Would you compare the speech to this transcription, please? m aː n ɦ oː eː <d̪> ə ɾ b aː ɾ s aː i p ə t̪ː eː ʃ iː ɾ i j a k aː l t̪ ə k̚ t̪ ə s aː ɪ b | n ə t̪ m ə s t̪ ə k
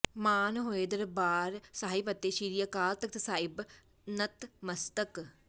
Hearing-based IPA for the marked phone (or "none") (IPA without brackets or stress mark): d̪